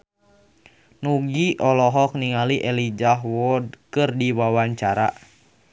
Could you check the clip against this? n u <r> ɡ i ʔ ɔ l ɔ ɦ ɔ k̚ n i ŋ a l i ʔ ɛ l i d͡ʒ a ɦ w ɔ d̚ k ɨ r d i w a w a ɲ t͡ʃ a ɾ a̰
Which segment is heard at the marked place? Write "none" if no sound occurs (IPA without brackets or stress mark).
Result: none